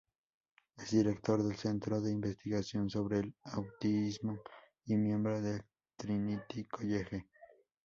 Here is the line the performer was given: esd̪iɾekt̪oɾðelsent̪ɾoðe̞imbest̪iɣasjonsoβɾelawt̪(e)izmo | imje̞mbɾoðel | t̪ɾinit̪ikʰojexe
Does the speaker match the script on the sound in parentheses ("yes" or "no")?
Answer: no